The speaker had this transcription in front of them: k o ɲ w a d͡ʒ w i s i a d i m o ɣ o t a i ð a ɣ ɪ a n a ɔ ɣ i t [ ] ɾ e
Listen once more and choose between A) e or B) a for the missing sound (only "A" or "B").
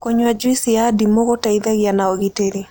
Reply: A